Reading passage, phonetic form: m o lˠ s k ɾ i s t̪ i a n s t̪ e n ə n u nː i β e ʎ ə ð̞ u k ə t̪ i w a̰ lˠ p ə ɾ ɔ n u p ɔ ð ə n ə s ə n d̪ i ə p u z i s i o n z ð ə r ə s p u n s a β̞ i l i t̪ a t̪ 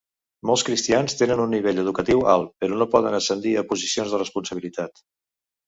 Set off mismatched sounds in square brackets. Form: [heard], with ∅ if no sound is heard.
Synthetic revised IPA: m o lˠ s k ɾ i s t̪ i a n s t̪ e n ə n u nː i β e ʎ ə ð̞ u k ə t̪ i w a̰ lˠ p ə ɾ ɔ n [o] p ɔ ð ə n ə s ə n d̪ i ə p u z i s i o n z ð ə r ə s p u n s [ə] β̞ i l i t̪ a t̪